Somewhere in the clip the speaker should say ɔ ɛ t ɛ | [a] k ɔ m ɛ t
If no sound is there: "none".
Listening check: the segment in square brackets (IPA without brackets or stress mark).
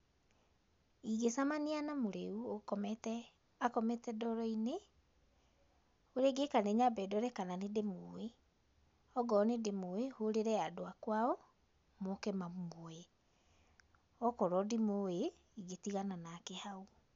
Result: a